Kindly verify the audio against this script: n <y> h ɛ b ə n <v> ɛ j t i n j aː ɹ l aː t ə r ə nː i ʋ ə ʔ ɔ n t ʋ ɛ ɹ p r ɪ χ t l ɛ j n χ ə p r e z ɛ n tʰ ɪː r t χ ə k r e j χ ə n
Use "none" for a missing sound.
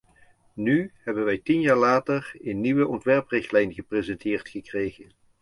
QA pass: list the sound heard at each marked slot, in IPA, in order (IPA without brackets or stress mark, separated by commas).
y, ʋ